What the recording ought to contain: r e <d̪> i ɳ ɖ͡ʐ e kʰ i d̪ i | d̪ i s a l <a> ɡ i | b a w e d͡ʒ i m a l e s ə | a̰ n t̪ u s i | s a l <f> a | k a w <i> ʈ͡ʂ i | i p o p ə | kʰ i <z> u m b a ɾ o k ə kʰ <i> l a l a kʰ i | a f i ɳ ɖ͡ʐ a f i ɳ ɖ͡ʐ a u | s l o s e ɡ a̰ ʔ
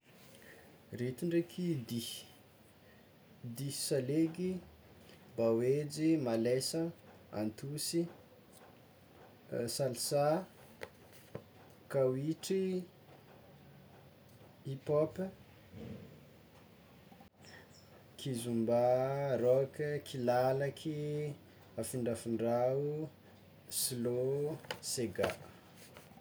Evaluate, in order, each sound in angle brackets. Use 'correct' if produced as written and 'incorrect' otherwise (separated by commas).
incorrect, incorrect, incorrect, correct, correct, correct